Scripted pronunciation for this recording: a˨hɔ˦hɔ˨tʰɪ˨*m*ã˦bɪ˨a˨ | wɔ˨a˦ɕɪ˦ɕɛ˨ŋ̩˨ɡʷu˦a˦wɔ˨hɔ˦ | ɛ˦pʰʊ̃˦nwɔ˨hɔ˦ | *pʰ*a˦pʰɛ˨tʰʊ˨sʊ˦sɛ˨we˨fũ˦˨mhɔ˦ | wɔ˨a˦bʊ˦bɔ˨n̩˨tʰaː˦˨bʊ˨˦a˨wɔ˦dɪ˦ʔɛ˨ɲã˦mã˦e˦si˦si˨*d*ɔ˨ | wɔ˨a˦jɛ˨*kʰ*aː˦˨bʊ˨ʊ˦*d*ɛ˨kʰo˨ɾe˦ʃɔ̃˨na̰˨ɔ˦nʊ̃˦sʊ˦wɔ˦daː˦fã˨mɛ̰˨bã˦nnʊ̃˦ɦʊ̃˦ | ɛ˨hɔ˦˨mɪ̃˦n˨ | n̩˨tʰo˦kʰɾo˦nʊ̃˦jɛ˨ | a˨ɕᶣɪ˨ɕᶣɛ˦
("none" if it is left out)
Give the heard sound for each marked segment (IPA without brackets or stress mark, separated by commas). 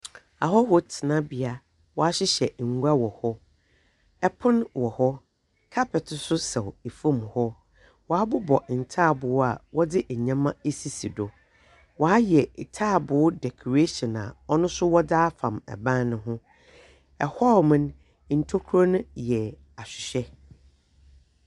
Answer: n, kʰ, d, tʰ, d